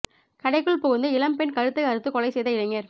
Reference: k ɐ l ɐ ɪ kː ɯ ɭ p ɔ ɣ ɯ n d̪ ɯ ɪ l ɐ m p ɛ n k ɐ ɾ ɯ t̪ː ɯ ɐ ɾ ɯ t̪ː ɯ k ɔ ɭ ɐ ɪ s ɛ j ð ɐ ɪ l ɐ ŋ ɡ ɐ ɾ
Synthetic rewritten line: k ɐ ɽ ɐ ɪ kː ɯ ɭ p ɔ ɣ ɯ n d̪ ɯ ɪ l ɐ m p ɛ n k ɐ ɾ ɯ t̪ː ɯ ɐ ɾ ɯ t̪ː ɯ k ɔ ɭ ɐ ɪ s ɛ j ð ɐ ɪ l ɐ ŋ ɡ ɐ ɾ